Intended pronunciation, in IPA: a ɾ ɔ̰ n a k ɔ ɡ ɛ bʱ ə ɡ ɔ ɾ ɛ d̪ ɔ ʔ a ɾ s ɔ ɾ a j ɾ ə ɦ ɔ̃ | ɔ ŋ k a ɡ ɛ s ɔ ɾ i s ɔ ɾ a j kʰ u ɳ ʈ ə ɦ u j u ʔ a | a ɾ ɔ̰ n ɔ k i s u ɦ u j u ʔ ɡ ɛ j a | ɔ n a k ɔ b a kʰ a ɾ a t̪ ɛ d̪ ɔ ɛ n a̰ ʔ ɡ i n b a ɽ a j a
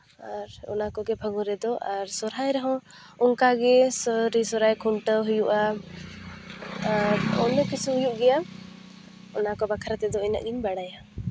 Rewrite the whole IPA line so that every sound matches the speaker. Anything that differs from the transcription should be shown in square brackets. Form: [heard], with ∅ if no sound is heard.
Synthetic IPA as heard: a ɾ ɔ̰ n a k ɔ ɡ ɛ bʱ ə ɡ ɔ ɾ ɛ d̪ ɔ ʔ a ɾ s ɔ ɾ a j ɾ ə ɦ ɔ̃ | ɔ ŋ k a ɡ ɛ s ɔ ɾ i s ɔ ɾ a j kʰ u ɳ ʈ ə ɦ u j u ʔ a | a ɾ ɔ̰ n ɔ k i s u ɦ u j u ʔ ɡ ɛ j a | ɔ n a k ɔ b a kʰ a ɾ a t̪ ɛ d̪ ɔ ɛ n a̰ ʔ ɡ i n b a ɽ a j a